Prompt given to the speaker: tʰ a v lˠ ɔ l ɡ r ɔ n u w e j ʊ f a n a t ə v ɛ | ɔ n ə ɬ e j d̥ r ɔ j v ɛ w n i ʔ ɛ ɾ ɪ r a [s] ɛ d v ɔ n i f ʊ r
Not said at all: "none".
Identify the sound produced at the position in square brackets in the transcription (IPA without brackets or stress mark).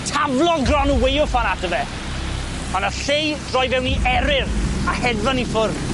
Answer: h